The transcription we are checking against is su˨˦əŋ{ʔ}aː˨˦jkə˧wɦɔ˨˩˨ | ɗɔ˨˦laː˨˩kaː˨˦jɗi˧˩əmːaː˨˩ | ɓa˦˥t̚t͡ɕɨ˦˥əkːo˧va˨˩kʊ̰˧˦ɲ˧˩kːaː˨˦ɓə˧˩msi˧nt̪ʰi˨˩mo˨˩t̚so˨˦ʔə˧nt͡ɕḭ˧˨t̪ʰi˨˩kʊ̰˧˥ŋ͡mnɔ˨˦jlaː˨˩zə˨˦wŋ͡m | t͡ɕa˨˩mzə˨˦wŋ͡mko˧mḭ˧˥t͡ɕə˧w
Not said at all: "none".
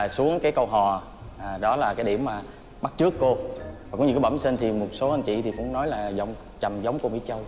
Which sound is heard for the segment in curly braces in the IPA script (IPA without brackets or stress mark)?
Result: k